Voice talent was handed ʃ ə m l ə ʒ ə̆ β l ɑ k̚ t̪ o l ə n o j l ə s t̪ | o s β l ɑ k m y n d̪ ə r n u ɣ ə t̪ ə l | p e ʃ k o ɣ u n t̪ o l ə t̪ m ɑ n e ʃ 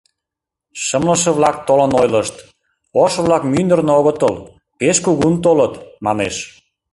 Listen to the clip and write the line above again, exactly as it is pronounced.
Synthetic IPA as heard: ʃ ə m l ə ʃ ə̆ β l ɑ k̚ t̪ o l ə n o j l ə ʃ t̪ | o ʃ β l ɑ k m y n d̪ ə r n o ɣ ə t̪ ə l | p e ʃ k u ɣ u n t̪ o l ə t̪ m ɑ n e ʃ